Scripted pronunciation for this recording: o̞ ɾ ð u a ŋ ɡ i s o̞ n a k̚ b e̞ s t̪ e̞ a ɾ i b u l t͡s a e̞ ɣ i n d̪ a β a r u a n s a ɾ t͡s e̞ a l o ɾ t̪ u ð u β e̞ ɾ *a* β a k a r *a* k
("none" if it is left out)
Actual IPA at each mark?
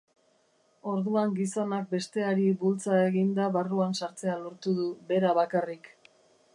a, i

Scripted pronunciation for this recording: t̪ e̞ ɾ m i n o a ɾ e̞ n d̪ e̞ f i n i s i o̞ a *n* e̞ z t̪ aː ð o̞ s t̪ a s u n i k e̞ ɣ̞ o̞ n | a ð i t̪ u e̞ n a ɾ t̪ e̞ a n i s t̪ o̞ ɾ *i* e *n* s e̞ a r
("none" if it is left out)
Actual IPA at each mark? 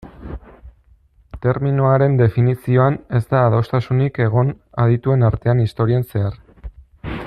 n, i, n

